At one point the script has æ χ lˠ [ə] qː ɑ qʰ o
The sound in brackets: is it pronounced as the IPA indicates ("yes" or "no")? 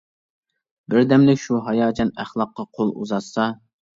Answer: no